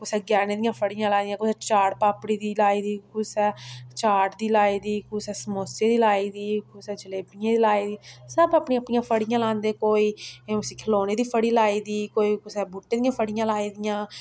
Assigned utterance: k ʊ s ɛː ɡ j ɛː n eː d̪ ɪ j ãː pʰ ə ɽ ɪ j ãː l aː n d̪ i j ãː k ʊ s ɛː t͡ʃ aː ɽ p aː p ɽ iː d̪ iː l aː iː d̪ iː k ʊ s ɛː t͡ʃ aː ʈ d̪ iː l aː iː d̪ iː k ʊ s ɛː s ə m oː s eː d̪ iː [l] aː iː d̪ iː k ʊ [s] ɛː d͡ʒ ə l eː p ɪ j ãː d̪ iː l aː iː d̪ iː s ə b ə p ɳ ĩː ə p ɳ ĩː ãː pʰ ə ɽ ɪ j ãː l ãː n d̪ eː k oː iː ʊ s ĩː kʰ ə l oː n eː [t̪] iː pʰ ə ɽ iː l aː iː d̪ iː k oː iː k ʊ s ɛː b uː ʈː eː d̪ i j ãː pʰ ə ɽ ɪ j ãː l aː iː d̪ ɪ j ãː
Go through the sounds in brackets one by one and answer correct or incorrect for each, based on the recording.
correct, correct, incorrect

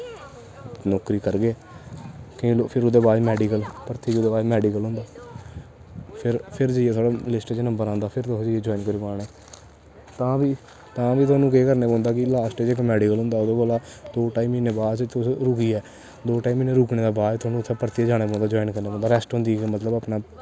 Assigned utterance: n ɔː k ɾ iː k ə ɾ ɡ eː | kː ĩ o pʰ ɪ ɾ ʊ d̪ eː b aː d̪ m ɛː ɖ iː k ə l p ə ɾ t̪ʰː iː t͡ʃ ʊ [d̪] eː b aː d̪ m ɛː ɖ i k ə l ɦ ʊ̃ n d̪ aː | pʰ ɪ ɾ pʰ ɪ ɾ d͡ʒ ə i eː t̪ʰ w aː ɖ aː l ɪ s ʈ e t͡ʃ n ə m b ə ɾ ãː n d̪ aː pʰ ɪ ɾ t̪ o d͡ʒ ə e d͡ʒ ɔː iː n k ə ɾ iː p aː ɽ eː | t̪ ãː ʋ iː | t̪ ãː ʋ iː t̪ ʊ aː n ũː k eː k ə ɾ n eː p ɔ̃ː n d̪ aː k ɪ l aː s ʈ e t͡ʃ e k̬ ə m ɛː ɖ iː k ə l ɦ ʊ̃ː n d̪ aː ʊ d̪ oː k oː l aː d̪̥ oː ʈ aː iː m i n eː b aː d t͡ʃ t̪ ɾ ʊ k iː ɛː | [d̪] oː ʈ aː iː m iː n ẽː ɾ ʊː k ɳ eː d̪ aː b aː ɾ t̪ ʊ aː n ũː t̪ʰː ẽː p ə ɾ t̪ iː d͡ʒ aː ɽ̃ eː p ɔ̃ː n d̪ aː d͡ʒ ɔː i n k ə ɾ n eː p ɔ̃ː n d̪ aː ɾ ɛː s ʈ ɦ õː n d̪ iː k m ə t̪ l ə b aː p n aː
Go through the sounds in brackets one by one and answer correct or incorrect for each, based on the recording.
correct, correct

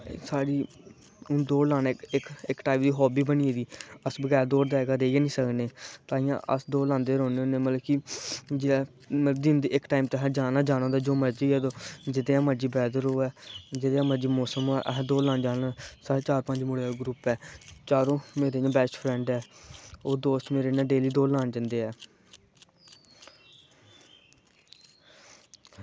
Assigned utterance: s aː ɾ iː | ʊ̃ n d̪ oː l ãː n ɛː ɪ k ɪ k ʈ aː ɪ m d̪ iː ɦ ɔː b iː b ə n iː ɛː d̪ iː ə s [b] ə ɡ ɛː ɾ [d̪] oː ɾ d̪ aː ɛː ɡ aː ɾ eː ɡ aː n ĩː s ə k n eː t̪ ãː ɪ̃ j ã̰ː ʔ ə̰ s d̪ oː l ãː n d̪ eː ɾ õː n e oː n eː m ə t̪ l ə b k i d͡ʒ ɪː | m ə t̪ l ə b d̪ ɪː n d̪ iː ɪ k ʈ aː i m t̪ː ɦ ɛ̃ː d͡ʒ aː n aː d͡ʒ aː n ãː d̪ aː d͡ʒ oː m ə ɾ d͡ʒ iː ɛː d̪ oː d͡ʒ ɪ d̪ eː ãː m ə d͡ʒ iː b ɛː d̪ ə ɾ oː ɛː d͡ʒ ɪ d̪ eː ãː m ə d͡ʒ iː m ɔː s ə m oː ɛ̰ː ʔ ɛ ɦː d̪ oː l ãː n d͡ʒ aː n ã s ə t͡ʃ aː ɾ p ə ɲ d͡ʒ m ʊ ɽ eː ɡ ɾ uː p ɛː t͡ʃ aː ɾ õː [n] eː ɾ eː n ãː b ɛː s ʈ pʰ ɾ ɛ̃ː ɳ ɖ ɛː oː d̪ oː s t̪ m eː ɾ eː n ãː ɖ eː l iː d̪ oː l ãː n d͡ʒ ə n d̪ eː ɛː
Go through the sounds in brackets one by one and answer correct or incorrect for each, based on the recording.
correct, correct, incorrect

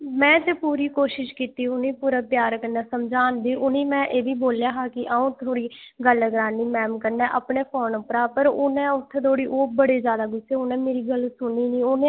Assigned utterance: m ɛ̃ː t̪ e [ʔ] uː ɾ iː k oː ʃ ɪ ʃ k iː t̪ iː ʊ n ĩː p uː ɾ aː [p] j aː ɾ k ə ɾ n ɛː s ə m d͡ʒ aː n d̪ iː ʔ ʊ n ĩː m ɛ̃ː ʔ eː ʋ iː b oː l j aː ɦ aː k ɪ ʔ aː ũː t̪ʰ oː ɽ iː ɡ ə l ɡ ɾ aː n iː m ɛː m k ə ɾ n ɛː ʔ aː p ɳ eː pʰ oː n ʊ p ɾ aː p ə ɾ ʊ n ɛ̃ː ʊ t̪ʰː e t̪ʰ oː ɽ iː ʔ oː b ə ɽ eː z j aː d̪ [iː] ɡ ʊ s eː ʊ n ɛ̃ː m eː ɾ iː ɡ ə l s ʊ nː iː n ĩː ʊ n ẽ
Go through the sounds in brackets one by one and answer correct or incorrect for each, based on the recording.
incorrect, correct, incorrect

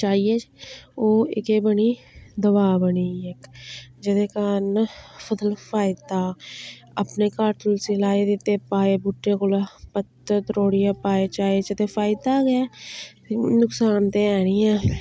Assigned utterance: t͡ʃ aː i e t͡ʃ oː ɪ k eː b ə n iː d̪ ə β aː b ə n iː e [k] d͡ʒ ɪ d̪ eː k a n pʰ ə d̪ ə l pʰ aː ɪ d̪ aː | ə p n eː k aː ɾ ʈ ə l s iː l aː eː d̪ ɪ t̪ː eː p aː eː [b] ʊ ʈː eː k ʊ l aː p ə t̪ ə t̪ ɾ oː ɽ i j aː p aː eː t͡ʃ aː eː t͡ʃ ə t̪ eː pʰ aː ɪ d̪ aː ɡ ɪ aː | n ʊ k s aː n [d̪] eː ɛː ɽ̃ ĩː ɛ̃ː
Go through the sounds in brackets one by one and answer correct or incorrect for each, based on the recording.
correct, correct, incorrect

